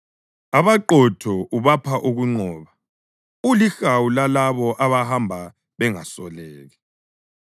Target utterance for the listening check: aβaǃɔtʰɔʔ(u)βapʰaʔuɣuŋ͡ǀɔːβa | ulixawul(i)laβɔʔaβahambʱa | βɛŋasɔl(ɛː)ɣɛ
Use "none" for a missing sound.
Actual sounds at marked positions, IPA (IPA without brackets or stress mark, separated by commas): u, a, ɛː